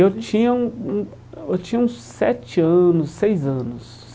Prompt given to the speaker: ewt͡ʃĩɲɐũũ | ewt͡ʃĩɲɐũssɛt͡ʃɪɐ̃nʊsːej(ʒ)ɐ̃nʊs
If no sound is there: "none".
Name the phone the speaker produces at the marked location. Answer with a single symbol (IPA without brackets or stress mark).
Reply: z